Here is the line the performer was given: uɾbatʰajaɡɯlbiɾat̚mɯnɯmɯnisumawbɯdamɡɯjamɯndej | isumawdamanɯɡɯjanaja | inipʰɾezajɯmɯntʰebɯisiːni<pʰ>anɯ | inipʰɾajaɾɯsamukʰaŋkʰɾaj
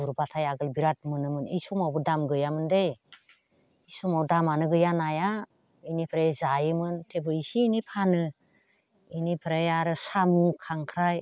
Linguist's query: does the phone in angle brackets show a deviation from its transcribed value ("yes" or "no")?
no